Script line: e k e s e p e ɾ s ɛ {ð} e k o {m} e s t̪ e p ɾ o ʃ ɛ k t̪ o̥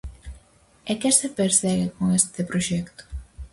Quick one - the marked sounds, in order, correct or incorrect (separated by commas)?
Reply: incorrect, incorrect